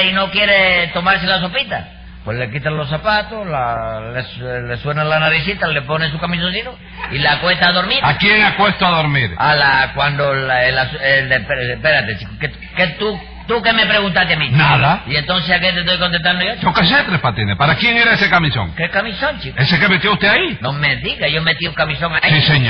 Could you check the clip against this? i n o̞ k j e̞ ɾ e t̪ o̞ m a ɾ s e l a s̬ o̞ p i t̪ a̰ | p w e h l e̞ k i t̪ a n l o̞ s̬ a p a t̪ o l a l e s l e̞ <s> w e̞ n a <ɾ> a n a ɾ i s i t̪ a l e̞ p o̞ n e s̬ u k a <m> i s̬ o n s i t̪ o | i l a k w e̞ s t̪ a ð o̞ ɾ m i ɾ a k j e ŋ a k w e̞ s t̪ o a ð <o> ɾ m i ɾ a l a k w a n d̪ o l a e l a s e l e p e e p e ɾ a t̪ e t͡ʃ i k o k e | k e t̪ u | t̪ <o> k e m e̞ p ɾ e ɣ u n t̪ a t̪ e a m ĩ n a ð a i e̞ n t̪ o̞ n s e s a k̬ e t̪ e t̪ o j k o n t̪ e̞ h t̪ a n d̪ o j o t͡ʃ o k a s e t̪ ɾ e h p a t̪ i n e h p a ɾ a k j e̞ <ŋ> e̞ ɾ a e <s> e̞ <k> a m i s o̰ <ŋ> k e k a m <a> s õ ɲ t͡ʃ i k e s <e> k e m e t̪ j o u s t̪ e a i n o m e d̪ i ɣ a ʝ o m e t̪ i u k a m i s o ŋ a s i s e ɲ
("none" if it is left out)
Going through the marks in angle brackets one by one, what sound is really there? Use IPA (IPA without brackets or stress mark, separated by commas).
s, l, m, o, u, ŋ, s, k, ŋ, i, e